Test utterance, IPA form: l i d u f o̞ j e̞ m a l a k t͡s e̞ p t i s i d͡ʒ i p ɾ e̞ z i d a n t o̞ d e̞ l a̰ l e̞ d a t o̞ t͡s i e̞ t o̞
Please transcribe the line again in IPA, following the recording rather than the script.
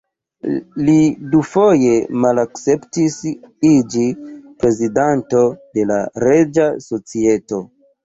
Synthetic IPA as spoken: l i d u f o̞ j e̞ m a l a k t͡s e̞ p t i s i d͡ʒ i p ɾ e̞ z i d a n t o̞ d e̞ l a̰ ɾ e̞ d͡ʒ a s o̞ t͡s i e̞ t o̞